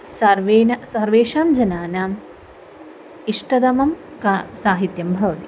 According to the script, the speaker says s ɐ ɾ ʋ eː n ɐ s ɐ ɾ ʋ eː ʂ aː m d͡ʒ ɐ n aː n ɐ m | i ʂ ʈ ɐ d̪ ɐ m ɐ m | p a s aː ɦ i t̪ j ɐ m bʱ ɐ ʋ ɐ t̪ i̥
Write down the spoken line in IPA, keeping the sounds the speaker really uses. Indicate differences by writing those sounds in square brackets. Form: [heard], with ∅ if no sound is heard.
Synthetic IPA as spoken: s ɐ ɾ ʋ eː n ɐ s ɐ ɾ ʋ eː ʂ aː m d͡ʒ ɐ n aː n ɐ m | i ʂ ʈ ɐ d̪ ɐ m ɐ m | [k] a s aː ɦ i t̪ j ɐ m bʱ ɐ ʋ ɐ t̪ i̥